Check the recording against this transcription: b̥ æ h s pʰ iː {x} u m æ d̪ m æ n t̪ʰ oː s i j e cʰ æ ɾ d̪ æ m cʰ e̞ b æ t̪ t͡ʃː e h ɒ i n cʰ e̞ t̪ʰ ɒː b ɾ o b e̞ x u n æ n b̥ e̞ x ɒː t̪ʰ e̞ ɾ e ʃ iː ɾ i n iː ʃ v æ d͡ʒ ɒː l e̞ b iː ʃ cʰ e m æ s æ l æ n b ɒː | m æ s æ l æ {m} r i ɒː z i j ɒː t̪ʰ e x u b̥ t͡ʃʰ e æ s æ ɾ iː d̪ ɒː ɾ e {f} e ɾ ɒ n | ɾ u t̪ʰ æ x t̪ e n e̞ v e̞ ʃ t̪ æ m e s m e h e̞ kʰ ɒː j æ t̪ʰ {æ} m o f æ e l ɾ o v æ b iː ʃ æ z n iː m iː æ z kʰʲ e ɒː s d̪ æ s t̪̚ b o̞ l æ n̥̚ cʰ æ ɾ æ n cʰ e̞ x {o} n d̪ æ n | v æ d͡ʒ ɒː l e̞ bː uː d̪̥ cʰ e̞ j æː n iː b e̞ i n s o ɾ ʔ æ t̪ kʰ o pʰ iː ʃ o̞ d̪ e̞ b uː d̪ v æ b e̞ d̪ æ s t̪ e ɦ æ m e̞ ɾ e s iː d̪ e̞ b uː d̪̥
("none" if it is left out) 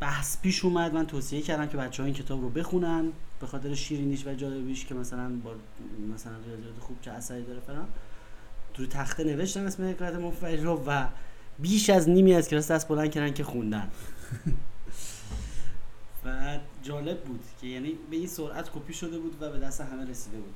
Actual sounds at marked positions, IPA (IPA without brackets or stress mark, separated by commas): ʃ, n, f, e, u